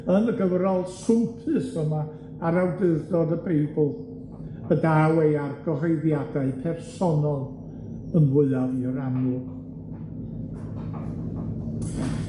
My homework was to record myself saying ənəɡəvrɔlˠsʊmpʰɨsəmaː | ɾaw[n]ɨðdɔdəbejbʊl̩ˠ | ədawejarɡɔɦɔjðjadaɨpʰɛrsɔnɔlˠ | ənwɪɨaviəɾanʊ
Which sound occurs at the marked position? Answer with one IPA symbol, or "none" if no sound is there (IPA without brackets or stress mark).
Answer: d